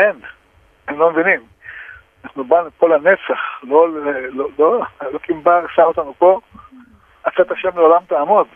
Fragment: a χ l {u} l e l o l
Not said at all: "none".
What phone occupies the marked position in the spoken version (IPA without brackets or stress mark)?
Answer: o